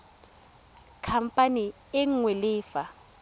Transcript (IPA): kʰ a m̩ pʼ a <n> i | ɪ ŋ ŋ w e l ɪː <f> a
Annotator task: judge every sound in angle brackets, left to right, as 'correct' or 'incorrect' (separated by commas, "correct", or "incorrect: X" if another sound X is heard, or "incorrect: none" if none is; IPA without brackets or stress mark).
correct, correct